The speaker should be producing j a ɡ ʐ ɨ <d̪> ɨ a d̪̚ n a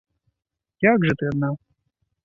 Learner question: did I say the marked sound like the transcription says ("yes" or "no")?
no